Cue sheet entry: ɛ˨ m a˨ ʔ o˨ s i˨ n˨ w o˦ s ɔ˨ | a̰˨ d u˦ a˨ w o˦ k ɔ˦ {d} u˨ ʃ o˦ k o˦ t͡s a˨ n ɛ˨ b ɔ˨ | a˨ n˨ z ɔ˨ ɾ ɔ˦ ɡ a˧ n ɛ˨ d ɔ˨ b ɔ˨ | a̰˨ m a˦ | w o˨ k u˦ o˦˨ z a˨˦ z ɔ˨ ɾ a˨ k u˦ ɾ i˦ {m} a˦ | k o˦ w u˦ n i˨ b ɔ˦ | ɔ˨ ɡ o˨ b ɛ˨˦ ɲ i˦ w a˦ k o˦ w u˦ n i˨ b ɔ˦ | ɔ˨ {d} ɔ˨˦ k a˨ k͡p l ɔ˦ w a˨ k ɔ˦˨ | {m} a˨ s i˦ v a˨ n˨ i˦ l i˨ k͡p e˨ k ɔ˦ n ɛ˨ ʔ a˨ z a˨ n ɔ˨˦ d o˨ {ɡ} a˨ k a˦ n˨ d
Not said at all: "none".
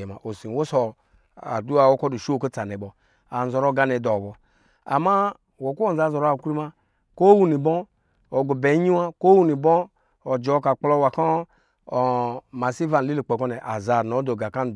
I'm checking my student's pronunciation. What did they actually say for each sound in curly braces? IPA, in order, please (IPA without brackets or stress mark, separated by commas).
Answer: d, m, d͡ʒ, m, ɡ